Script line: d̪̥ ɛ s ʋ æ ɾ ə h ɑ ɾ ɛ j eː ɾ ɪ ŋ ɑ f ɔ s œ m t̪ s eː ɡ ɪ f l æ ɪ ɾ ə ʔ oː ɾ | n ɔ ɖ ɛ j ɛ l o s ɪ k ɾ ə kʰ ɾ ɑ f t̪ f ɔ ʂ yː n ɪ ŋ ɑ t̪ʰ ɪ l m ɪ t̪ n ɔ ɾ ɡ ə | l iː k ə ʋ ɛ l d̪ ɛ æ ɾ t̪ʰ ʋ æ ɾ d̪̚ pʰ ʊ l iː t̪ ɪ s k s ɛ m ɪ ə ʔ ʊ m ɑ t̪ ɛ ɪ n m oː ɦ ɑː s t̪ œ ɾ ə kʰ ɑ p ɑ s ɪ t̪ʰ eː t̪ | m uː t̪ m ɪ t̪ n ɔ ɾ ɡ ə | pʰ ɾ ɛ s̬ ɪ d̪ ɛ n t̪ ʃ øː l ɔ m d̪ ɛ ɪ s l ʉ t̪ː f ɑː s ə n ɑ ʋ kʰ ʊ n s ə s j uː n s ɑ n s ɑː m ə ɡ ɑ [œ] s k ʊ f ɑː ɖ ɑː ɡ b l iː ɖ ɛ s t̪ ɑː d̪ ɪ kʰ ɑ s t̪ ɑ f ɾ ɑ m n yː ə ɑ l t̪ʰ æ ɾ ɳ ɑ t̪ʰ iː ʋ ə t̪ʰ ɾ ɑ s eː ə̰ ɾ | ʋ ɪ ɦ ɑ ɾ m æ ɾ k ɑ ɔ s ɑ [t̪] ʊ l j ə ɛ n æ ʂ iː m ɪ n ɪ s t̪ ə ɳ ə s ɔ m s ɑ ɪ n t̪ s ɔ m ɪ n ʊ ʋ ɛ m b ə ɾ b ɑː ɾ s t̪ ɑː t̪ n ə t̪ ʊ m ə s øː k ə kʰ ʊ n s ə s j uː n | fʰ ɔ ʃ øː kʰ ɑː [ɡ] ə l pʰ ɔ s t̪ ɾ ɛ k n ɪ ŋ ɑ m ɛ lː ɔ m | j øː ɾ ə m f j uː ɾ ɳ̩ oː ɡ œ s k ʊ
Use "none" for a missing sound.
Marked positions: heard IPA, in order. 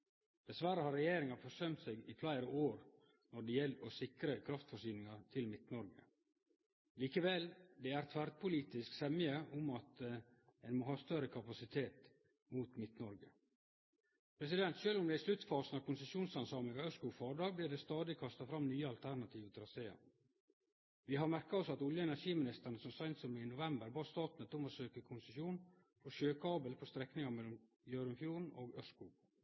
œ, t̪, b

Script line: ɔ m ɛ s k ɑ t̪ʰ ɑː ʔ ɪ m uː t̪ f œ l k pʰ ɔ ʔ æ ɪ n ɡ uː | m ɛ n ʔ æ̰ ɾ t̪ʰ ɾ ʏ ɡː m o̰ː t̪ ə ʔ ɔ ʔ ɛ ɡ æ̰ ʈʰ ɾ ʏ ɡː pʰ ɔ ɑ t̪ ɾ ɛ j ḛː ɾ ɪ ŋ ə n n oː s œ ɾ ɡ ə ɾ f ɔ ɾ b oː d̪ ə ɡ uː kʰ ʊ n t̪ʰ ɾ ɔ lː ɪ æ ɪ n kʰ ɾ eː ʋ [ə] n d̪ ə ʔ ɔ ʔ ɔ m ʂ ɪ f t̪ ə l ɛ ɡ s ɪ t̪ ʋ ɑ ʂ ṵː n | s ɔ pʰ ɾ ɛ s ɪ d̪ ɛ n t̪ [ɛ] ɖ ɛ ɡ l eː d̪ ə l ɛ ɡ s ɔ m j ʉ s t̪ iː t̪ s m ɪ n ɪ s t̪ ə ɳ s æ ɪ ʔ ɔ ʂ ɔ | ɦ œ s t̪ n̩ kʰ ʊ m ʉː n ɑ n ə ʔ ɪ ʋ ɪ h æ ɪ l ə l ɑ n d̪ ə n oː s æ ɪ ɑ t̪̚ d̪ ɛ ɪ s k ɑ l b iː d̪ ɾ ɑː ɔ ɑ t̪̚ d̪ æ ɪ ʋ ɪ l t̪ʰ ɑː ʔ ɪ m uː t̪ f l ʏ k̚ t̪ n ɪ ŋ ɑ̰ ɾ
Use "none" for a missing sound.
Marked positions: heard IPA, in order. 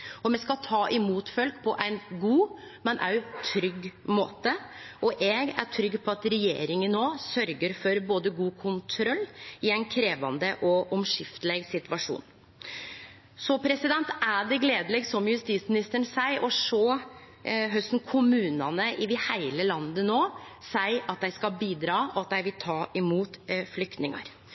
ɑ, æ

